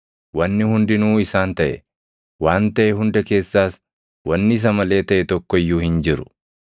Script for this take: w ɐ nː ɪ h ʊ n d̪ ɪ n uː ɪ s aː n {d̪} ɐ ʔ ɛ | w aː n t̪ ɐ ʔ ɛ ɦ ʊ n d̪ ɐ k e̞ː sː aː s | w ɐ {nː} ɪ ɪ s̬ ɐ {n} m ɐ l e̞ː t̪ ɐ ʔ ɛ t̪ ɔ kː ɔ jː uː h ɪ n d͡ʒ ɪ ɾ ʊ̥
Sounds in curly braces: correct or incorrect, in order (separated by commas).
incorrect, correct, incorrect